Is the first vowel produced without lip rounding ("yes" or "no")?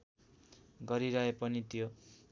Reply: yes